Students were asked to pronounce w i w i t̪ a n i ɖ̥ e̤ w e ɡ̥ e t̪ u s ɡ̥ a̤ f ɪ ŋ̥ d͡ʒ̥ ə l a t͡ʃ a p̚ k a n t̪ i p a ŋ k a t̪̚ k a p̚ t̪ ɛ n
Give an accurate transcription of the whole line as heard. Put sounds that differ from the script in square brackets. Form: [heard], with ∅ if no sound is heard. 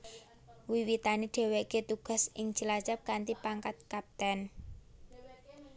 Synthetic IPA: w i w i t̪ a n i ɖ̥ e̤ w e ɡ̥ e t̪ u [∅] ɡ̥ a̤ [s] ɪ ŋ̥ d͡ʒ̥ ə l a t͡ʃ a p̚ k a n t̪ i p a ŋ k a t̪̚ k a p̚ t̪ ɛ n